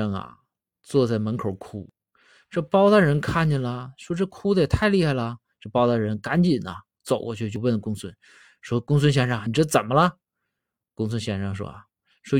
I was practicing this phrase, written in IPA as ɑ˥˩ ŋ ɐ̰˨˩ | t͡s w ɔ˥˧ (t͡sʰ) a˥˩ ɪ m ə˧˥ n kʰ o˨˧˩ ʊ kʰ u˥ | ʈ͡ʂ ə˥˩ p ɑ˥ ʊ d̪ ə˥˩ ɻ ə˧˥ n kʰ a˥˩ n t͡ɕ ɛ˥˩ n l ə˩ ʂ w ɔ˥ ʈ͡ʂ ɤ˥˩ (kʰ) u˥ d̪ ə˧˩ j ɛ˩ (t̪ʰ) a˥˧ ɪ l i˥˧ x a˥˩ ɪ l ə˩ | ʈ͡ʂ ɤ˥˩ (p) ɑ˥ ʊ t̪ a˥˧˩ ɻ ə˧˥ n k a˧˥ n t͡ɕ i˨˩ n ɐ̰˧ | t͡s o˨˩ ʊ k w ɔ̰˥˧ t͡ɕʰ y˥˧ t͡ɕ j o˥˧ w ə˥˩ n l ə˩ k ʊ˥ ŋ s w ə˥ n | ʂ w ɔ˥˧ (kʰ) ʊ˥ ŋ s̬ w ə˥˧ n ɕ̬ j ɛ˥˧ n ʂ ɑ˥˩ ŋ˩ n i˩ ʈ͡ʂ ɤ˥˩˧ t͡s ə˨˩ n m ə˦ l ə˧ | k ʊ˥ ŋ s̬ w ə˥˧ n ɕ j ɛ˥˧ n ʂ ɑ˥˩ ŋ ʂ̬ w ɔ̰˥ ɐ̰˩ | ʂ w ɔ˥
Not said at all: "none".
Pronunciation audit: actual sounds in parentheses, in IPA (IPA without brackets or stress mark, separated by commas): t͡s, kʰ, t̪ʰ, p, k